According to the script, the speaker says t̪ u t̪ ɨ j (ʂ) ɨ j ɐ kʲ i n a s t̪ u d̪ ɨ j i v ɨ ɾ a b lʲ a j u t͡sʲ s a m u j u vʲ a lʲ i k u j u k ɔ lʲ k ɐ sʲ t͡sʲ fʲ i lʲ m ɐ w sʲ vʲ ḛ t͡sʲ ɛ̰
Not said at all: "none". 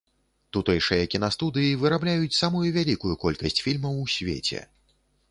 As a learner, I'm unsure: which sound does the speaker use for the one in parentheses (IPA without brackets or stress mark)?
ʂ